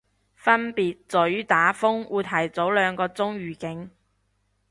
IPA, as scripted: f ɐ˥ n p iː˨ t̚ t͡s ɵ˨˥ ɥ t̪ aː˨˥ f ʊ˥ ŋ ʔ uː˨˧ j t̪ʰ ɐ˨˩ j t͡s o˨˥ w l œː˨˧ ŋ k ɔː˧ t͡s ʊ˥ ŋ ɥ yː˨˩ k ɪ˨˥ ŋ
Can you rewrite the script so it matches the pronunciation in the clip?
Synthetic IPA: f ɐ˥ n p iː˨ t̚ t͡s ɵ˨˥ ɥ t̪ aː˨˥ f ʊ˥ ŋ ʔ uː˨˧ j t̪ʰ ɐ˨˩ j t͡s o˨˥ w l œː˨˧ ŋ k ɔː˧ t͡s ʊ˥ ŋ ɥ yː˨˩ k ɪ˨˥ ŋ